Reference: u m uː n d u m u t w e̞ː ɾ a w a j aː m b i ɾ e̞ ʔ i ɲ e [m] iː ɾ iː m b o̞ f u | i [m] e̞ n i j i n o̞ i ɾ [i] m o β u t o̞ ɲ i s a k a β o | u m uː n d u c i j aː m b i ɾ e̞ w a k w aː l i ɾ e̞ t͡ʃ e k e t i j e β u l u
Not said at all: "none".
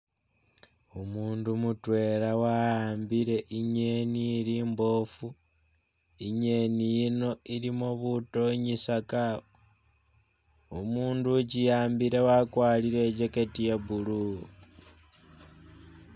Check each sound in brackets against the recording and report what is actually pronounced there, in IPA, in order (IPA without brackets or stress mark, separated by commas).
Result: n, ɲ, i